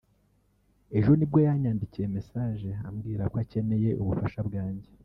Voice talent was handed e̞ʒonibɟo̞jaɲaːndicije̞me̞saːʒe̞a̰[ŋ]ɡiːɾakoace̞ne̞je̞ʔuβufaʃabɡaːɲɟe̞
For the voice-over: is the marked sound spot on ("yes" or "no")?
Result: no